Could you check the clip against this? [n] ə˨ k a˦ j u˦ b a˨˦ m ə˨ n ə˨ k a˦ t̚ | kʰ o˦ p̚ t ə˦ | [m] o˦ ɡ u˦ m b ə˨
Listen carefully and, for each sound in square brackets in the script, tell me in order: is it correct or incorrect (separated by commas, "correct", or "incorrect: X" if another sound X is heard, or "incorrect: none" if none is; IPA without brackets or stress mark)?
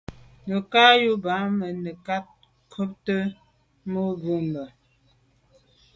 correct, correct